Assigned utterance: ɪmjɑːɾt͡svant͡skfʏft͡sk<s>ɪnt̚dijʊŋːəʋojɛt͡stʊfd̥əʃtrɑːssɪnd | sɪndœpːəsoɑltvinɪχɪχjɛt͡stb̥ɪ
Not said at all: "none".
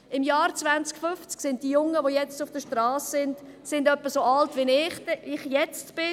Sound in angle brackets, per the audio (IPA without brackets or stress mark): s